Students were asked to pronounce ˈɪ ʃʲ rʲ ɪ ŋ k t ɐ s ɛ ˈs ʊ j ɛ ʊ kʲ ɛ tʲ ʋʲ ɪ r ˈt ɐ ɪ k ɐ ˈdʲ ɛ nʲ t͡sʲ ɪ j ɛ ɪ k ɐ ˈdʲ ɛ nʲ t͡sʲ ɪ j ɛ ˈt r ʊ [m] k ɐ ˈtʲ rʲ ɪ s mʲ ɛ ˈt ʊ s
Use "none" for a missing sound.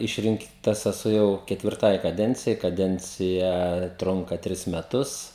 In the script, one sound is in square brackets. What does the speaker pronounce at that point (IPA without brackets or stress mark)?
ŋ